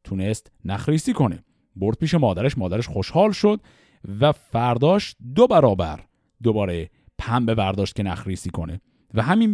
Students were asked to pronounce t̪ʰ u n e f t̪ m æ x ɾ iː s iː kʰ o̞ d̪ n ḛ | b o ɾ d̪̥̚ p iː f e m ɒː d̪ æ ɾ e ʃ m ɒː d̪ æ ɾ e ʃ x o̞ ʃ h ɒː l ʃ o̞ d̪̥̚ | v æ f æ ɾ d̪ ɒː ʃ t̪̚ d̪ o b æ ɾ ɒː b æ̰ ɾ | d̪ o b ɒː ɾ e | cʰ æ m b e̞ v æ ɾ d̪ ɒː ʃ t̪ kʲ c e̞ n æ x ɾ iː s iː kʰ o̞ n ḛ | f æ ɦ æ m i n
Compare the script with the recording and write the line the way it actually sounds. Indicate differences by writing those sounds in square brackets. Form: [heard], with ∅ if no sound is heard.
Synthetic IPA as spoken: t̪ʰ u n e [s] t̪ [n] æ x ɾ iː s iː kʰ o̞ [∅] n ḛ | b o ɾ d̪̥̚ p iː [ʃ] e m ɒː d̪ æ ɾ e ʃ m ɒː d̪ æ ɾ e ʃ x o̞ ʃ h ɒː l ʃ o̞ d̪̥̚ | v æ f æ ɾ d̪ ɒː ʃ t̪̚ d̪ o b æ ɾ ɒː b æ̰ ɾ | d̪ o b ɒː ɾ e | [pʰ] æ m b e̞ v æ ɾ d̪ ɒː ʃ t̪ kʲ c e̞ n æ x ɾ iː s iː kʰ o̞ n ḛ | [v] æ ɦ æ m i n